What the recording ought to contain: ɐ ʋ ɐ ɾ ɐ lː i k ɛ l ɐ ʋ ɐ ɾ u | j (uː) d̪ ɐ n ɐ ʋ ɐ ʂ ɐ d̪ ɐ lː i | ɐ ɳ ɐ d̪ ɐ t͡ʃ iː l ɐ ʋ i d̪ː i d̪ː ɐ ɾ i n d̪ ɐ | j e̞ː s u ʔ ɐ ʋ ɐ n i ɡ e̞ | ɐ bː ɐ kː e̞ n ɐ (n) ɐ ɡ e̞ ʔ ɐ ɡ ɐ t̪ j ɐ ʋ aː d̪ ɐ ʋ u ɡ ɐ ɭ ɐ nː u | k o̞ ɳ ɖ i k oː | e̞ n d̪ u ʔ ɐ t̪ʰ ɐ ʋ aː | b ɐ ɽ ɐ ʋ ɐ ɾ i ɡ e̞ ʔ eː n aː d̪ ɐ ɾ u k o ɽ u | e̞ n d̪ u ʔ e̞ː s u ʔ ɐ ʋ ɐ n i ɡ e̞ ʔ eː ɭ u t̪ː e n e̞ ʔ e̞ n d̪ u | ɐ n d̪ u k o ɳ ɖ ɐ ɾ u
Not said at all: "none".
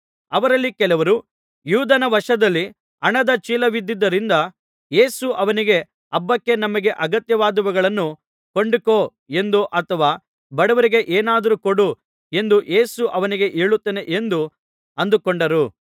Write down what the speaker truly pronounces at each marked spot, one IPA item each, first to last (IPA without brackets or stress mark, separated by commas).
uː, m